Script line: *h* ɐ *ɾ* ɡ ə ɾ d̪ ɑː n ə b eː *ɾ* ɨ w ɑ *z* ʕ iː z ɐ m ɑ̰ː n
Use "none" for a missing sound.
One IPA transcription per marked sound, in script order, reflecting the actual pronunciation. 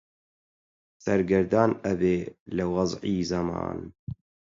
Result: s, ɾ, l, z

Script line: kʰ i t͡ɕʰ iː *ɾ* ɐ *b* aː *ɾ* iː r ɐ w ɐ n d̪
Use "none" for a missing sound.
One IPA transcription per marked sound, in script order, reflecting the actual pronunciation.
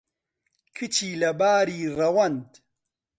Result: l, b, ɾ

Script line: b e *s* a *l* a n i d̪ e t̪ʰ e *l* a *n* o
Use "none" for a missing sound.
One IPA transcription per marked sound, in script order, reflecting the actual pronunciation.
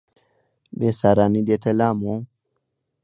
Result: s, ɾ, l, m

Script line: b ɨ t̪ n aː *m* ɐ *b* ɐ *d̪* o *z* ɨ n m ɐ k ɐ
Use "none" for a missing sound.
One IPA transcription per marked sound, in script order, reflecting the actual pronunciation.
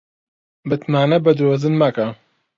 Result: n, b, d̪, z

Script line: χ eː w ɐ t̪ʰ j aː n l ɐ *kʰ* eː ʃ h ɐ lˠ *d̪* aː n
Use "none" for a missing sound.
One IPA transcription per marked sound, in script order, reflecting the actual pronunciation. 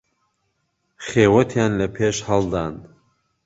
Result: pʰ, d̪

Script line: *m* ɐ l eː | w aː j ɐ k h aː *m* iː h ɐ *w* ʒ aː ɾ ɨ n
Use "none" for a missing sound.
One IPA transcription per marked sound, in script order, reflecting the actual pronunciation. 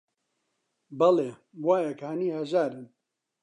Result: b, n, none

